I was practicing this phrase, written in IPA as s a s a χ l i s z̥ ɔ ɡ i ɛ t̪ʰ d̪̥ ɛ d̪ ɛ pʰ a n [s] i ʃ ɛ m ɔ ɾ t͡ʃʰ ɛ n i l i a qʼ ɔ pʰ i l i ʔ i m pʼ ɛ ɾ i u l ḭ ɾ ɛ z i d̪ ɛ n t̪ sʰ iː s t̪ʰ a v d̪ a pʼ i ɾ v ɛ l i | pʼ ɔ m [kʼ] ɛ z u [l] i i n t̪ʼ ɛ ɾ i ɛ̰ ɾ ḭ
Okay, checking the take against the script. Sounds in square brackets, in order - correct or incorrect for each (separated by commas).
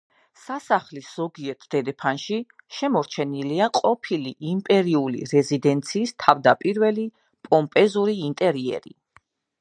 incorrect, incorrect, incorrect